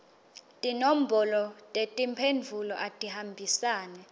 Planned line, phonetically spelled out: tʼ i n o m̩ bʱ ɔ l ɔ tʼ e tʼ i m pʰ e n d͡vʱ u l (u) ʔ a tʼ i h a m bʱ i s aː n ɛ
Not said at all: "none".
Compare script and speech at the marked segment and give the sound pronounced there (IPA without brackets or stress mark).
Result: ɔ